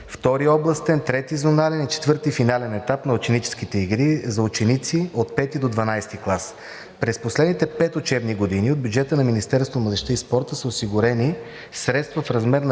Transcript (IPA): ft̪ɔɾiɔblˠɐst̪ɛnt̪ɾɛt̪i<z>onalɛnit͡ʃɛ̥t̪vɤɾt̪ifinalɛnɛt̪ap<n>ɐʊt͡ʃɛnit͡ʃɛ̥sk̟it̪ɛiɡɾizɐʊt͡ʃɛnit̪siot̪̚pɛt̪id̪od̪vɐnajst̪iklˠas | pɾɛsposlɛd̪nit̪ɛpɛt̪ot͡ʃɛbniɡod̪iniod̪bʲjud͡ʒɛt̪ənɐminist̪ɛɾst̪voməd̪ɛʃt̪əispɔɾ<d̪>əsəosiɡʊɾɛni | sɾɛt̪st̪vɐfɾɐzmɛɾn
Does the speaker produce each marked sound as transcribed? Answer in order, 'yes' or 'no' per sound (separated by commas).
yes, yes, no